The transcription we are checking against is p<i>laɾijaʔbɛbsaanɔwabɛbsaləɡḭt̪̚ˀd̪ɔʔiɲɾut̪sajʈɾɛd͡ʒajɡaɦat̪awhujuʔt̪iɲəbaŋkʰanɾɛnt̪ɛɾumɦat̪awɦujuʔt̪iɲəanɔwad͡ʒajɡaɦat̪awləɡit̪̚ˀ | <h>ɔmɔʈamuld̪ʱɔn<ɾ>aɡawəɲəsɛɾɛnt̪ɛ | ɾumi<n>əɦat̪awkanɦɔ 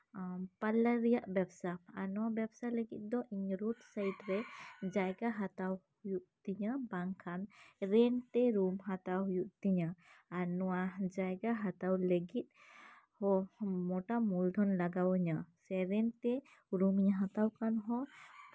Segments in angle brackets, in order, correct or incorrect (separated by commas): incorrect, correct, incorrect, incorrect